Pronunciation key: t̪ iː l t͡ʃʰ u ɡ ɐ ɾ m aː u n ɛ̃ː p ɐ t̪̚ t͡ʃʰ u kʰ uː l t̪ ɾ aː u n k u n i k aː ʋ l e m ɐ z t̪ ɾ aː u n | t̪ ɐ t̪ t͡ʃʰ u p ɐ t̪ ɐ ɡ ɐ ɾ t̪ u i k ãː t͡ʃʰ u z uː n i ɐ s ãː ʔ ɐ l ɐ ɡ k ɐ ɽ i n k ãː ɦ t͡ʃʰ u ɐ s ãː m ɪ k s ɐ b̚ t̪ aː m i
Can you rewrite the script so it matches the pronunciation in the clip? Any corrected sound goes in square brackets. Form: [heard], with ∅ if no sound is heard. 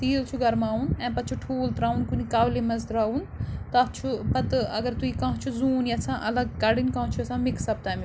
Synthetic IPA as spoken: t̪ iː l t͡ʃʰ u ɡ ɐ ɾ m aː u n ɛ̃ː p ɐ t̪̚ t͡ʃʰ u [ʈʰ] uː l t̪ ɾ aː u n k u n i k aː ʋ l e m ɐ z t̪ ɾ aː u n | t̪ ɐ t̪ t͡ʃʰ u p ɐ t̪ ɐ ɡ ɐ ɾ t̪ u i k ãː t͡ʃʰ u z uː n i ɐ s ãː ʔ ɐ l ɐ ɡ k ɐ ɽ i n k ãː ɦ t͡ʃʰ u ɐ s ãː m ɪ k s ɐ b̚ t̪ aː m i